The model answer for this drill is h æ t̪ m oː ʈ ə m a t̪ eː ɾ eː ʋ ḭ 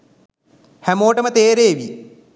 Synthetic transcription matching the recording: h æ m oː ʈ ə m ə t̪ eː ɾ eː ʋ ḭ

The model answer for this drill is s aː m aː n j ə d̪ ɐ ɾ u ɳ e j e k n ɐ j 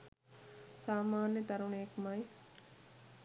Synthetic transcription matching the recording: s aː m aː n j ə t̪ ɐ ɾ u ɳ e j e k m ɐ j

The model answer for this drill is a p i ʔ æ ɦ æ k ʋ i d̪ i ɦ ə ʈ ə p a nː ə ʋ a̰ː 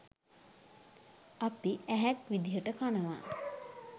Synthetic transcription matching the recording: a p i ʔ æ ɦ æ k ʋ i d̪ i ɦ ə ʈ ə k a n ə ʋ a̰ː

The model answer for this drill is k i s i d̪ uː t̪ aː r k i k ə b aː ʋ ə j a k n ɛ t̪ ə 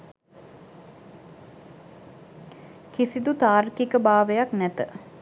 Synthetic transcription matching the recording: k i s i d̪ u t̪ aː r k i k ə b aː ʋ ə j a k n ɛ t̪ ə

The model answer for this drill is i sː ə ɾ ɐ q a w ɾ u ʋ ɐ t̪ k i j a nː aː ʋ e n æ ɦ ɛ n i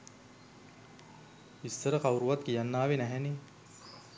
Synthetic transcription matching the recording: i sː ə ɾ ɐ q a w ɾ u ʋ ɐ t̪ k i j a nː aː ʋ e n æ ɦ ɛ n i

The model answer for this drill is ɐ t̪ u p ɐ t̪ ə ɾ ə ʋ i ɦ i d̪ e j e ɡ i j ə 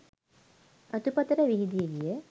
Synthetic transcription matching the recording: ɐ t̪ u p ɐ t̪ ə ɾ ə ʋ i ɦ i d̪ i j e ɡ i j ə

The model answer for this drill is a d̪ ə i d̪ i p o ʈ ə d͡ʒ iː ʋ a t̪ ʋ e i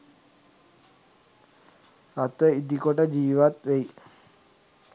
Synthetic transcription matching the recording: a t̪ ə i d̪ i k o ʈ ə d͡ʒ iː ʋ a t̪ ʋ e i

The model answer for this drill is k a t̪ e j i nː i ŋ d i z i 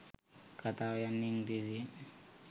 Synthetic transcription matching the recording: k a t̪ a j a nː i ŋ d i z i

